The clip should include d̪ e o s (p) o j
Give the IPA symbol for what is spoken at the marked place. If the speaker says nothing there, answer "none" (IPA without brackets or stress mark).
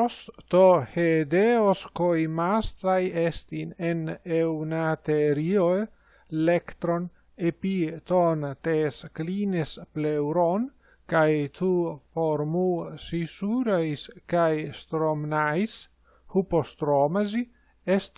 k